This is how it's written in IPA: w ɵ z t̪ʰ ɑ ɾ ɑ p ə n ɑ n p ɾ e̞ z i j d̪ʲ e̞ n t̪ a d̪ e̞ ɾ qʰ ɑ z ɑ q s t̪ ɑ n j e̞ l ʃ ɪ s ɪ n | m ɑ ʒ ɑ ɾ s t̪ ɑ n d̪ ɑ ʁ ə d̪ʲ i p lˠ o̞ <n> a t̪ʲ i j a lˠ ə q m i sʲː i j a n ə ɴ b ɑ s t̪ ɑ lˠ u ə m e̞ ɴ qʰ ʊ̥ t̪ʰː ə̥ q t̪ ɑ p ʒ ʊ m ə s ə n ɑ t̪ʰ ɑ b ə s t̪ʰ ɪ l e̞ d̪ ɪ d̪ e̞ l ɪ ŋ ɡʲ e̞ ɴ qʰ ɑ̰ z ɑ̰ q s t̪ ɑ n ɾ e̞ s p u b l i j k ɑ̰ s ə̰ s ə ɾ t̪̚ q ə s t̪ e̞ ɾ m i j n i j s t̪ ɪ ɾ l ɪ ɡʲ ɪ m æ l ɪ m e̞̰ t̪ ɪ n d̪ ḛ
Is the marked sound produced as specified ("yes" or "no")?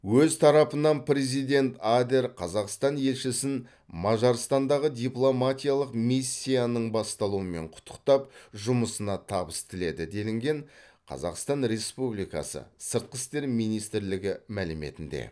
no